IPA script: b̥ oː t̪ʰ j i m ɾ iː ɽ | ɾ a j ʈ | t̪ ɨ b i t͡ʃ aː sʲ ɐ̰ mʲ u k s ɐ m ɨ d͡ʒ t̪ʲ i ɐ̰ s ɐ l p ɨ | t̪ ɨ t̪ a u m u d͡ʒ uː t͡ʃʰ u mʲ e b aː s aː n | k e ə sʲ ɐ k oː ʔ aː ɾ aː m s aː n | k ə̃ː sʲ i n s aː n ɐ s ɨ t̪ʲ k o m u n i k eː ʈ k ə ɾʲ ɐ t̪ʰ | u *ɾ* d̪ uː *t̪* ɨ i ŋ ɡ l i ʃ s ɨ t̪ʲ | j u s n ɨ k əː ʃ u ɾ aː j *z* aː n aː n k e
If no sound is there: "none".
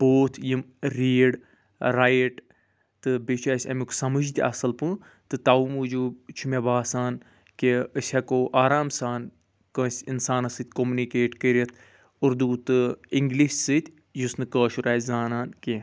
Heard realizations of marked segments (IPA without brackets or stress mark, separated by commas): ɾ, t̪, z